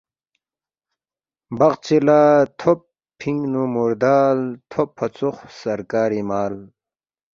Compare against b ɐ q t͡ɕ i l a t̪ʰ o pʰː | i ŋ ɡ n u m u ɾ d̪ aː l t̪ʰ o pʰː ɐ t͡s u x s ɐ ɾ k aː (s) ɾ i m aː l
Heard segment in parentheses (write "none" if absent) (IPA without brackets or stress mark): none